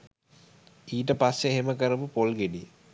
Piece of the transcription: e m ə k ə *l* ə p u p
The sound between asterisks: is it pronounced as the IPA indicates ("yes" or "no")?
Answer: no